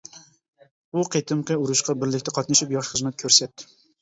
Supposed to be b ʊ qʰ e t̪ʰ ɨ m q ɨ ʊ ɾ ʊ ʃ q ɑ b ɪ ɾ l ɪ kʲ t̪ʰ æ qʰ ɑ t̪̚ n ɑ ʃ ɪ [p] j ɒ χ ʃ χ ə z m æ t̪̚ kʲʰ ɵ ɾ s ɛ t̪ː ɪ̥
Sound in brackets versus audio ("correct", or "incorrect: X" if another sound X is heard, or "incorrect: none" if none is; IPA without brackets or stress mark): correct